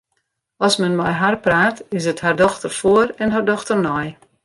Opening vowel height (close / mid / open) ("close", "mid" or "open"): mid